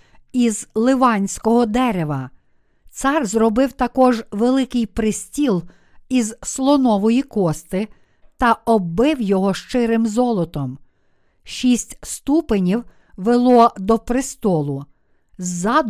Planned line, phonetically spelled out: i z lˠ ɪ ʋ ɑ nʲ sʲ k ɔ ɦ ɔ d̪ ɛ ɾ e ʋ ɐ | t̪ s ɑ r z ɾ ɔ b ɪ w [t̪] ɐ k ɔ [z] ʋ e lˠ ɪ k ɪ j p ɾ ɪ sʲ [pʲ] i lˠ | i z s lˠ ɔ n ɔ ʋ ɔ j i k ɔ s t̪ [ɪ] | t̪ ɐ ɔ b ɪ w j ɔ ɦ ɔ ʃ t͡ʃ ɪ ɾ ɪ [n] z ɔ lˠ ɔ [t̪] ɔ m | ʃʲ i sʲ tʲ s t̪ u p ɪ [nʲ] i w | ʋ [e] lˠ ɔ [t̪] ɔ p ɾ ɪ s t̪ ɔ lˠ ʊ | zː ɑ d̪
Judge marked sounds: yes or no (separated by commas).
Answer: yes, no, no, yes, no, yes, yes, yes, no